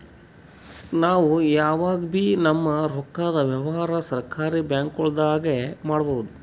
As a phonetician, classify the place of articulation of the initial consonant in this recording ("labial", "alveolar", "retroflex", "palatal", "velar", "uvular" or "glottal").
alveolar